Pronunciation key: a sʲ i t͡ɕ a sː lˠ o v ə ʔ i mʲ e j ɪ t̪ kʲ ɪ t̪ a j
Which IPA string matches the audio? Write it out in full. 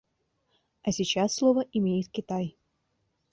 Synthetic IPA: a sʲ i t͡ɕ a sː lˠ o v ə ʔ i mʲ e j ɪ t̪ kʲ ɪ t̪ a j